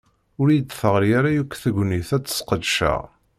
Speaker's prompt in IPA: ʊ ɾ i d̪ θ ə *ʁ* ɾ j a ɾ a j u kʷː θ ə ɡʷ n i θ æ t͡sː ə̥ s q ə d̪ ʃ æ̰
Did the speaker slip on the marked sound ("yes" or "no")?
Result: no